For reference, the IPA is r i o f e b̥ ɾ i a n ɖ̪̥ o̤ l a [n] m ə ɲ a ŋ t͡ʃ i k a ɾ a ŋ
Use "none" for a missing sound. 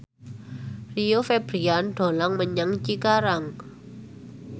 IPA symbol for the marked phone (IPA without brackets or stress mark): ŋ